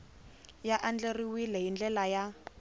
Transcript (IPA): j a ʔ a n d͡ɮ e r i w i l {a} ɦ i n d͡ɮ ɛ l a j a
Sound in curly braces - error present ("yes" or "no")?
yes